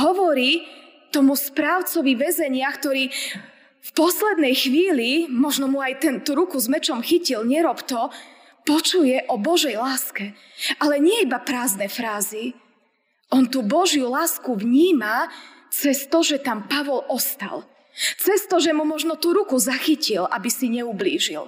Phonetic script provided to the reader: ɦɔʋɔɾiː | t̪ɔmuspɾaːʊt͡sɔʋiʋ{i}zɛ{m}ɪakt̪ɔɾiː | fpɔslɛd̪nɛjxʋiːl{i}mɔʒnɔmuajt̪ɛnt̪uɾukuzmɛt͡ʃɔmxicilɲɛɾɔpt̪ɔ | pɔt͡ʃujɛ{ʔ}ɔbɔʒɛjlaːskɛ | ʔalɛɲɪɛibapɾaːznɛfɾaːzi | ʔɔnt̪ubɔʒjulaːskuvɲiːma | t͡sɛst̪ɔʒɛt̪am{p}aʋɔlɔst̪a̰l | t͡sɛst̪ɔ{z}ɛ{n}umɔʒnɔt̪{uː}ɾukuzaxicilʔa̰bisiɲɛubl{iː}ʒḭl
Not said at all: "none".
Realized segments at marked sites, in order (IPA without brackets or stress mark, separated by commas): ɛ, ɲ, i, ʔ, p, ʒ, m, u, iː